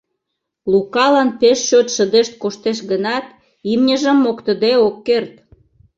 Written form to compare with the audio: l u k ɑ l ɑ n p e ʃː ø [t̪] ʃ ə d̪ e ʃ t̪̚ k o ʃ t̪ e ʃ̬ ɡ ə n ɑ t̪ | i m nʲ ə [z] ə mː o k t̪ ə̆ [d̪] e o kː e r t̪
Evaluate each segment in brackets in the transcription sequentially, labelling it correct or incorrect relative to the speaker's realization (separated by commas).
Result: correct, incorrect, correct